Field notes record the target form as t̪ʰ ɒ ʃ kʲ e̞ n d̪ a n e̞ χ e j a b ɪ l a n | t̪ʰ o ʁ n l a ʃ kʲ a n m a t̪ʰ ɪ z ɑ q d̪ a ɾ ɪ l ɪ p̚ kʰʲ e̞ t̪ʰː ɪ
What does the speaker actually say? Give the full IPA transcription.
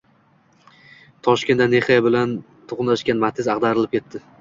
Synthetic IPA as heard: t̪ʰ ɒ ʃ kʲ e̞ n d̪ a n e̞ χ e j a b ɪ l a n | t̪ʰ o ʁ n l a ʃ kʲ a n m a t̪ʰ ɪ z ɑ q d̪ a ɾ ɪ l ɪ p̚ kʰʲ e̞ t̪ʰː ɪ

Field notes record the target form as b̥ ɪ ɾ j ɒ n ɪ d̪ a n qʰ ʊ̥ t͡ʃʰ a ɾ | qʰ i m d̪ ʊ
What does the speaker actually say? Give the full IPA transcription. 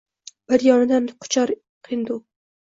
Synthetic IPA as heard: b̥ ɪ ɾ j ɒ n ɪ d̪ a n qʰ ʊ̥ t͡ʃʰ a ɾ | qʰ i n d̪ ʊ

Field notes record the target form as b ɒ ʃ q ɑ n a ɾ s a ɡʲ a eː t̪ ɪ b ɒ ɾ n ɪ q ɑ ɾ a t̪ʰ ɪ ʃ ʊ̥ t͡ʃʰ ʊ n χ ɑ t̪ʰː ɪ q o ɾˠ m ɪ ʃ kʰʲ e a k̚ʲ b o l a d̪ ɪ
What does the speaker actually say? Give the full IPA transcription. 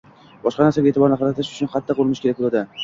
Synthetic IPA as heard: b ɒ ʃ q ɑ n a ɾ s a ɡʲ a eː t̪ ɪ b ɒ ɾ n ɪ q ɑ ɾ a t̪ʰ ɪ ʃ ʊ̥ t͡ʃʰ ʊ n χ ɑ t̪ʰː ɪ q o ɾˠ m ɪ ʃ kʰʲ e a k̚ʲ b o l a d̪ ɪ

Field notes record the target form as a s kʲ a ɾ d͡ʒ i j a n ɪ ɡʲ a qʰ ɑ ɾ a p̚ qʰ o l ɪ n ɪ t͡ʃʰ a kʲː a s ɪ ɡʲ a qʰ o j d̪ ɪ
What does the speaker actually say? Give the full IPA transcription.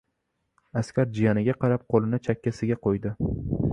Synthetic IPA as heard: a s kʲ a ɾ d͡ʒ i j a n ɪ ɡʲ a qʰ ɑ ɾ a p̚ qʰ o l ɪ n ɪ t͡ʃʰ a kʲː a s ɪ ɡʲ a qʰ o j d̪ ɪ

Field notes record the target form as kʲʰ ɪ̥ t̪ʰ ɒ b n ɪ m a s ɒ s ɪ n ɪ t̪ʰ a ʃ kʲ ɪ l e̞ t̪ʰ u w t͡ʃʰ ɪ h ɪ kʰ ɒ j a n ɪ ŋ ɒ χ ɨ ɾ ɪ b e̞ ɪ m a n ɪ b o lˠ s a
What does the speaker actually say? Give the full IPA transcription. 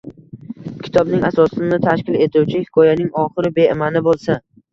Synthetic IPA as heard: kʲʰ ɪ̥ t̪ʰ ɒ b n ɪ ŋ a s ɒ s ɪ n ɪ t̪ʰ a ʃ kʲ ɪ l e̞ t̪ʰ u w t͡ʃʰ ɪ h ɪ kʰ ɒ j a n ɪ ŋ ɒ χ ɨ ɾ ɪ b e̞ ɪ m a n ɪ b o lˠ s a

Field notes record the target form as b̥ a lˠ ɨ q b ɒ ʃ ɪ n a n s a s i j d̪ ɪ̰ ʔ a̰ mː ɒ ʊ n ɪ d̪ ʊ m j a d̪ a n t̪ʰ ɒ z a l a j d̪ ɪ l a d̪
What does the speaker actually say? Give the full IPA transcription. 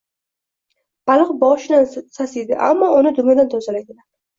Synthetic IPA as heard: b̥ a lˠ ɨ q b ɒ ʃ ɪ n a n s a s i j d̪ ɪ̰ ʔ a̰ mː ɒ ʊ n ɪ d̪ ʊ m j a d̪ a n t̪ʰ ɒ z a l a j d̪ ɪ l a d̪

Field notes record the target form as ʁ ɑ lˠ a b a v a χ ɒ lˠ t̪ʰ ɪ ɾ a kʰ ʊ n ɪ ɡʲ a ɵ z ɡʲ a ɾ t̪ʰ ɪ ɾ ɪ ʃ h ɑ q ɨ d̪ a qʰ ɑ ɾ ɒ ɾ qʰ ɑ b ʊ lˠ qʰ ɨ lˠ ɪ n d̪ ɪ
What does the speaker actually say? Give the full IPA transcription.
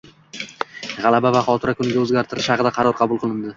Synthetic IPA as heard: ʁ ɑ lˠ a b a v a χ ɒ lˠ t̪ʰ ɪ ɾ a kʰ ʊ n ɪ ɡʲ a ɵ z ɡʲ a ɾ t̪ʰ ɪ ɾ ɪ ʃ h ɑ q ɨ d̪ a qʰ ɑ ɾ ɒ ɾ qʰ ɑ b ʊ lˠ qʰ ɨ lˠ ɪ n d̪ ɪ

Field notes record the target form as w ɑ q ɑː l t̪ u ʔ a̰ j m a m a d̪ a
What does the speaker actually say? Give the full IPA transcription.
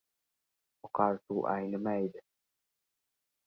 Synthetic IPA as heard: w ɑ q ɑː l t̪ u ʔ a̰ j n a m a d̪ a

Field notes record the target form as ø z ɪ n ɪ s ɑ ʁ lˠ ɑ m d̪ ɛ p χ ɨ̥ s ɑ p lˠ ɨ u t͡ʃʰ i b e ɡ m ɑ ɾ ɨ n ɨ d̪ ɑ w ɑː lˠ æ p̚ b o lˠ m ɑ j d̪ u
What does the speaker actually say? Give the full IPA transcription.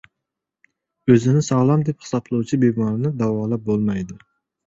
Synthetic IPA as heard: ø z ɪ n ɪ s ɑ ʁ lˠ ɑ m d̪ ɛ p χ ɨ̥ s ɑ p lˠ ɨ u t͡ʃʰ i b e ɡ m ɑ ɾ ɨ n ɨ d̪ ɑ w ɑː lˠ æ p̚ b o lˠ m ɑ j d̪ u

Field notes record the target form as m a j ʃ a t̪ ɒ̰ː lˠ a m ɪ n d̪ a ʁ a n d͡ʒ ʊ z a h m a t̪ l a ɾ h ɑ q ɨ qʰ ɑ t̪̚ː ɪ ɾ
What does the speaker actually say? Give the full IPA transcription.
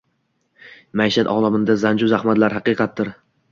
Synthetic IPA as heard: m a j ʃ a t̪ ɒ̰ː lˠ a m ɪ n d̪ a z a n d͡ʒ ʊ z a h m a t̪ l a ɾ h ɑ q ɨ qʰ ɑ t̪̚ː ɪ ɾ

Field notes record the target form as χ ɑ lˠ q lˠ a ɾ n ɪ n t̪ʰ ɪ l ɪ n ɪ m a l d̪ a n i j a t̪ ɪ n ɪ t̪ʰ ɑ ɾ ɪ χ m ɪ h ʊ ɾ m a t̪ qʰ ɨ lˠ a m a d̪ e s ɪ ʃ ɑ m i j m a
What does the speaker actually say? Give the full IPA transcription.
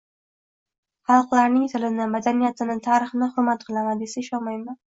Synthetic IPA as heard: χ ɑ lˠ q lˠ a ɾ n ɪ ŋ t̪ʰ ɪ l ɪ n ɪ m a d̪ a n i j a t̪ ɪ n ɪ t̪ʰ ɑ ɾ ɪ χ n ɪ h ʊ ɾ m a t̪ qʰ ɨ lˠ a m a d̪ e s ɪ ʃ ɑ m a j m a

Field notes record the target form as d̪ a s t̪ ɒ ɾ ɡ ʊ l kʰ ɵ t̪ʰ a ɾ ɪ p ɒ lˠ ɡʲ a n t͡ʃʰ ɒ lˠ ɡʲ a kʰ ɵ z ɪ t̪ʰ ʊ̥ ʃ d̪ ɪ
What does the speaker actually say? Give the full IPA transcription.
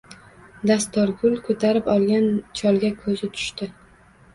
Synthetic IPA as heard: d̪ a s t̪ ɒ ɾ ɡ ʊ l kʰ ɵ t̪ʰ a ɾ ɪ p ɒ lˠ ɡʲ a n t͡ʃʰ ɒ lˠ ɡʲ a kʰ ɵ z ɪ t̪ʰ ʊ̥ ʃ t̪ ɪ

